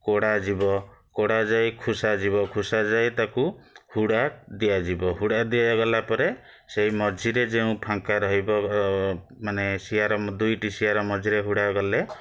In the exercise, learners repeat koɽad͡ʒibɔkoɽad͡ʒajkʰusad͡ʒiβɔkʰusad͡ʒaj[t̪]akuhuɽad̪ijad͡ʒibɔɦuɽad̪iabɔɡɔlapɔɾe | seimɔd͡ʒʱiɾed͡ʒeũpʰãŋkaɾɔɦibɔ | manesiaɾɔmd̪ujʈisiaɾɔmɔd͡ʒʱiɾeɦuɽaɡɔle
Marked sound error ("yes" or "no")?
no